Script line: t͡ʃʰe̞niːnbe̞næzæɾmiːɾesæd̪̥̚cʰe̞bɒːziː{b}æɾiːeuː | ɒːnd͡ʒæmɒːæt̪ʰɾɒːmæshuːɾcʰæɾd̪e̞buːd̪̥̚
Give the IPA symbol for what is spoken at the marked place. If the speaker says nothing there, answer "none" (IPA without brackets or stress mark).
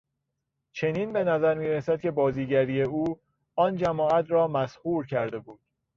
ɟ